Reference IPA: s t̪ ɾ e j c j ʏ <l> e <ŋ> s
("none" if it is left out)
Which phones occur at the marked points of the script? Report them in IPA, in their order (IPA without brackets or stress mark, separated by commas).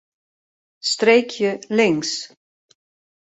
l, ŋ